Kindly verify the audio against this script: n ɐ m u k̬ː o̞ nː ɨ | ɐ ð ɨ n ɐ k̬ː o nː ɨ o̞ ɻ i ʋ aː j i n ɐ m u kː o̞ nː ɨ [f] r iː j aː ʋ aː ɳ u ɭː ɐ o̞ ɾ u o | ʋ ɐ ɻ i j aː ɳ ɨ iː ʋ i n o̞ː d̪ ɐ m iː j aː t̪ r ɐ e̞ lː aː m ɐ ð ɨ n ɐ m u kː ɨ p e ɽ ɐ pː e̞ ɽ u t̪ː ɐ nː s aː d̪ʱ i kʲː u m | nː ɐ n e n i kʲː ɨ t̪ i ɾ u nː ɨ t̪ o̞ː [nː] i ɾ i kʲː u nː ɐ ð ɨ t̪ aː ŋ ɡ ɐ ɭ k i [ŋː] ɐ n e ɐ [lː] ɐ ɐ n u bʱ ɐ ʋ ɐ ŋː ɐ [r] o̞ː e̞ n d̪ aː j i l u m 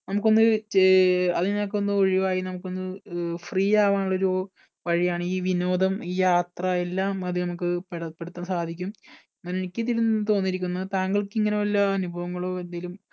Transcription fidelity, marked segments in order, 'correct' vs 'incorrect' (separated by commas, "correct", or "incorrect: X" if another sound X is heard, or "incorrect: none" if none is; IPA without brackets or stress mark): correct, correct, correct, correct, incorrect: ɭ